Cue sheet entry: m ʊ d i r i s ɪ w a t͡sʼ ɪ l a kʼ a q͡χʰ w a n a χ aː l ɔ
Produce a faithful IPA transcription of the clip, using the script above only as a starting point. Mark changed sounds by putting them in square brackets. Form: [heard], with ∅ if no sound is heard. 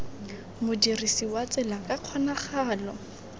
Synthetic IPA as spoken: m ʊ d i r i s [i] w a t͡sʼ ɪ l a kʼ a q͡χʰ w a n a χ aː l ɔ

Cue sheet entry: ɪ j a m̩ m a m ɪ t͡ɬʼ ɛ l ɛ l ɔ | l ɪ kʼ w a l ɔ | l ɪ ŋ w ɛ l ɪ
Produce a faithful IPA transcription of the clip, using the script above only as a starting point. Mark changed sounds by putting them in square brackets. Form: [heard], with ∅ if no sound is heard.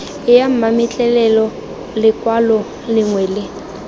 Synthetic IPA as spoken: ɪ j a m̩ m a m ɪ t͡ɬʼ ɛ l ɛ l ɔ | l ɪ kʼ w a l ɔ | l ɪ ŋ w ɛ l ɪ

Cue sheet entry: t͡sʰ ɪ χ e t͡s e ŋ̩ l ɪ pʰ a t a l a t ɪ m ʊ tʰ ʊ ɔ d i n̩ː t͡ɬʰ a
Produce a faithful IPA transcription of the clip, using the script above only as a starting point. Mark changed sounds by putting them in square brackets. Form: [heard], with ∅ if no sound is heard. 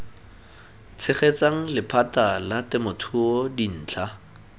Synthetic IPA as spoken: t͡sʰ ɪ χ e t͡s [a] ŋ̩ l ɪ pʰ a t a l a t ɪ m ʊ tʰ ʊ ɔ d i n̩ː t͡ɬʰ a

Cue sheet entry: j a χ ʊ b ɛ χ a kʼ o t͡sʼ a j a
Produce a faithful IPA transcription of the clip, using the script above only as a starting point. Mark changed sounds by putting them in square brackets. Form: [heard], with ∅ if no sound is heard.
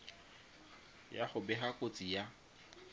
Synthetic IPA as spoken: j a χ ʊ b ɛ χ a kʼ o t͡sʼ [i] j a

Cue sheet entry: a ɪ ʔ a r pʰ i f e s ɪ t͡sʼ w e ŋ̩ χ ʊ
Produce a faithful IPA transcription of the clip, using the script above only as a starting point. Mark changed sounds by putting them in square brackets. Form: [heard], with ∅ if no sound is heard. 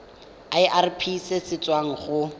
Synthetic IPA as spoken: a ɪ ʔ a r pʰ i [s] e s ɪ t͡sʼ w [a] ŋ̩ χ ʊ

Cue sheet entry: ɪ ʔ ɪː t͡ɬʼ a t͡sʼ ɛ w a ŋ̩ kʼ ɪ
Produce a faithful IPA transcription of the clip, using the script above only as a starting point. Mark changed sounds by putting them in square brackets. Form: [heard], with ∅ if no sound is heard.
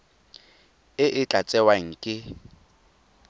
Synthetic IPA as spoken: ɪ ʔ [ɪ] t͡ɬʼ a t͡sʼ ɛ w a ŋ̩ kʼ ɪ

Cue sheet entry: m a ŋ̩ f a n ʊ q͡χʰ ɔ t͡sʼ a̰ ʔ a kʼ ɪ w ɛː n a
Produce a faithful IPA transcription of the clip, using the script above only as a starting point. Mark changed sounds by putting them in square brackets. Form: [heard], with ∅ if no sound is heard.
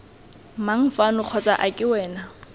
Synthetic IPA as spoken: m a ŋ̩ f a n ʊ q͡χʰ ɔ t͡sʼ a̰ ʔ a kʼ ɪ w ɛː n a

